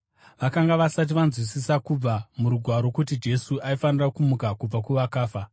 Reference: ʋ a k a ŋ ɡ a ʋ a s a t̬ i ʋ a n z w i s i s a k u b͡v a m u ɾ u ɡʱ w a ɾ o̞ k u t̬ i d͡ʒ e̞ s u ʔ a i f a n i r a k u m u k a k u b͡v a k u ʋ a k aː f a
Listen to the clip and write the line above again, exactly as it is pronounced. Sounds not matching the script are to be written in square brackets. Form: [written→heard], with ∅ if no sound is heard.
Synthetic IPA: ʋ a k a ŋ ɡ a ʋ a s a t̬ i ʋ a n z w i s i s a k u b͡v a m u ɾ u ɡʱ w a ɾ o̞ k u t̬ i d͡ʒ e̞ s u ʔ a i f a n i r a k u m u k a k u b͡v a k u ʋ a k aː f a